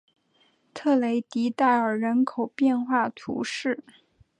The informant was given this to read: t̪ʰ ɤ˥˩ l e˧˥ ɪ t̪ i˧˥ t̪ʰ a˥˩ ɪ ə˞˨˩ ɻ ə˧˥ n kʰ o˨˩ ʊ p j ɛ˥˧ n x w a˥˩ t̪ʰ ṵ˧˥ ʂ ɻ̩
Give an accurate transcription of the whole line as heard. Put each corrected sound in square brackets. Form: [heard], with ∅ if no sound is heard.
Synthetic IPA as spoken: t̪ʰ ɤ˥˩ l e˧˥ ɪ t̪ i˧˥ [t̪] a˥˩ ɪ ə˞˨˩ ɻ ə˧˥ n kʰ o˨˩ ʊ p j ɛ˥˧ n x w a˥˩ t̪ʰ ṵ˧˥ ʂ ɻ̩